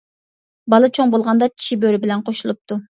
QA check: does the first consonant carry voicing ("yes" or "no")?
yes